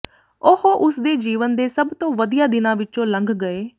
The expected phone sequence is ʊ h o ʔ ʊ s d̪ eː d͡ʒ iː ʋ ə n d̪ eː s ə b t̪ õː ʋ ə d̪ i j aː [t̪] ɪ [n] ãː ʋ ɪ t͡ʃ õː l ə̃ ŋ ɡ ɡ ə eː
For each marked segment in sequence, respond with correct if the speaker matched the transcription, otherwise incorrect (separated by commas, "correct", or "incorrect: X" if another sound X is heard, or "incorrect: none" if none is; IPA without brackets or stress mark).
incorrect: d̪, correct